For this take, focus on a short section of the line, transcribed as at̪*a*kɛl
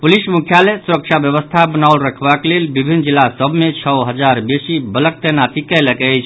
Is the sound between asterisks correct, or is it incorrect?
incorrect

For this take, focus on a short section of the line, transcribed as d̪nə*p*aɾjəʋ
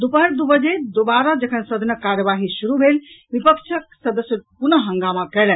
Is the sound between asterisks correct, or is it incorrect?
incorrect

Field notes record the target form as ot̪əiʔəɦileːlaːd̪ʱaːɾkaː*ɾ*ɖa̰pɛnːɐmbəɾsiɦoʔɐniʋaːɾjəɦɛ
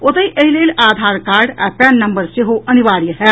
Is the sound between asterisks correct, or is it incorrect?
correct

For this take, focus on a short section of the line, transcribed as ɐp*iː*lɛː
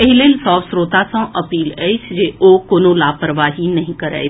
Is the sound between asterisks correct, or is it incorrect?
correct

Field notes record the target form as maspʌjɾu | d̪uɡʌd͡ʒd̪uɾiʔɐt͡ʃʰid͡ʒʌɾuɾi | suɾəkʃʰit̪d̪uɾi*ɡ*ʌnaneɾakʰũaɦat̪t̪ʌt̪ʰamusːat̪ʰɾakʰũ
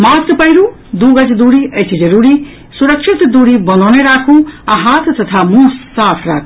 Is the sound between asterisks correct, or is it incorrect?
incorrect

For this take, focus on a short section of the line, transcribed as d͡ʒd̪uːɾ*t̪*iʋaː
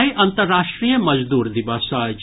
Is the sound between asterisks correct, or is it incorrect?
incorrect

